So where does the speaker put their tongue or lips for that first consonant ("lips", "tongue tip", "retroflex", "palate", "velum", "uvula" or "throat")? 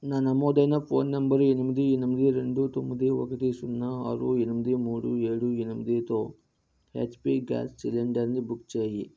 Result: tongue tip